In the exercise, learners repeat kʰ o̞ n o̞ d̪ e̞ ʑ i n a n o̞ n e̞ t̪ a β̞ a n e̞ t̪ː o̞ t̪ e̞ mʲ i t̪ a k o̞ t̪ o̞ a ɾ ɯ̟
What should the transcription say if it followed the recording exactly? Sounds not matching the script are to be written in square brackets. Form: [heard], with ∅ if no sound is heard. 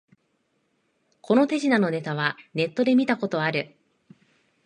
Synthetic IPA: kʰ o̞ n o̞ [t̪] e̞ ʑ i n a n o̞ n e̞ t̪ a β̞ a n e̞ t̪ː o̞ [d̪] e̞ mʲ i t̪ a k o̞ t̪ o̞ a ɾ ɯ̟